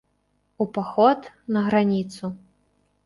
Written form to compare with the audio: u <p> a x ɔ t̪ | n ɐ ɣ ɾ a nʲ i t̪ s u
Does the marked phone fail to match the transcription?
no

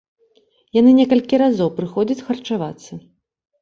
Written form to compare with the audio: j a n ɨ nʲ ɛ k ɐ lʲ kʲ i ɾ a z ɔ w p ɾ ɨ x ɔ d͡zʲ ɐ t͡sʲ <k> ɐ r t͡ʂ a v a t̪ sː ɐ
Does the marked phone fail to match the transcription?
yes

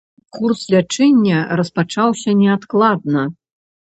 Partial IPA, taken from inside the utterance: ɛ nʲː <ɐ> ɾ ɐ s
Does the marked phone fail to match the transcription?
no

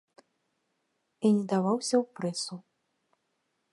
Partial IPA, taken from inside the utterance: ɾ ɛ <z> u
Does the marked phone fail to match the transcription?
yes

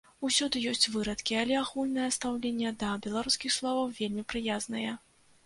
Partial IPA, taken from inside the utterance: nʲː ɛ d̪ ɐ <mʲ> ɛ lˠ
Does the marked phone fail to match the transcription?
yes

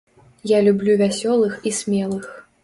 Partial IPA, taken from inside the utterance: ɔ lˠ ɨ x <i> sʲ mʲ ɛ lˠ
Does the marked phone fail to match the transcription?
no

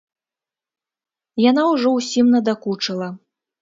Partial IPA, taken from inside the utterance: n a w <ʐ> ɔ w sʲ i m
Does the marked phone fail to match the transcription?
no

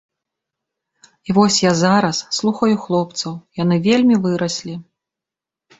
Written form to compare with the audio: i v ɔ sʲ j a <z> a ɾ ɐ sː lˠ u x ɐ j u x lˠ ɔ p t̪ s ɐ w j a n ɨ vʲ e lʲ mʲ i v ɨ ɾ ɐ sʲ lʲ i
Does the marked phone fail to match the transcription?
no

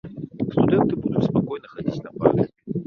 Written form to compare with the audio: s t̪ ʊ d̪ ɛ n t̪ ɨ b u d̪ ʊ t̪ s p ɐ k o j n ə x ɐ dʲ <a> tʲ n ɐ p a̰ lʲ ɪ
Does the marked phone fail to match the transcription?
yes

